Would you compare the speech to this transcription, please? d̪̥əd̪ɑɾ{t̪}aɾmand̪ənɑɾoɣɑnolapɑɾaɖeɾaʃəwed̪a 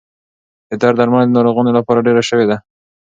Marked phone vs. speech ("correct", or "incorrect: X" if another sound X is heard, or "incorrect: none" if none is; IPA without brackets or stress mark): incorrect: d̪